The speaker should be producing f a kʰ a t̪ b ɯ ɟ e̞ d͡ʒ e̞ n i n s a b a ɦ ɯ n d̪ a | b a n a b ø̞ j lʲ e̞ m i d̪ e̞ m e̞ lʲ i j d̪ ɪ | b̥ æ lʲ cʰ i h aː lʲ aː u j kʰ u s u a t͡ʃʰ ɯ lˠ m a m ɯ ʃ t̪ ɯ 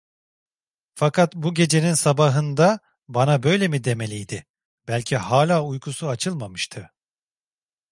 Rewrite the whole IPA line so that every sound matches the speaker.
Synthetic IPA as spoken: f a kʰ a t̪ b u ɟ e̞ d͡ʒ e̞ n i n s a b a ɦ ɯ n d̪ a | b a n a b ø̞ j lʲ e̞ m i d̪ e̞ m e̞ lʲ i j d̪ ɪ | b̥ æ lʲ cʰ i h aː lʲ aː u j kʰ u s u a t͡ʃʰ ɯ lˠ m a m ɯ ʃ t̪ʰ ɯ